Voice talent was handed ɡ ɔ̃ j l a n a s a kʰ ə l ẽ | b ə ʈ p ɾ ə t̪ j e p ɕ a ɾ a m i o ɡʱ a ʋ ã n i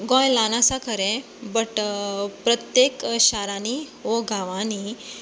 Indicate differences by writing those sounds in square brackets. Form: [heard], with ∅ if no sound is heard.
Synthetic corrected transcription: ɡ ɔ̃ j l a n a s a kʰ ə [ɾ] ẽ | b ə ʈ p ɾ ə t̪ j e [k] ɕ a ɾ a [n] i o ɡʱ a ʋ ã n i